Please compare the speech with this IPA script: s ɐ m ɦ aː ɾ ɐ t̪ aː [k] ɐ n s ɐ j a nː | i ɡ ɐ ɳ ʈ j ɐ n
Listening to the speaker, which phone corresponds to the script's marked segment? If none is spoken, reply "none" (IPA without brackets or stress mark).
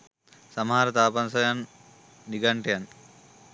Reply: p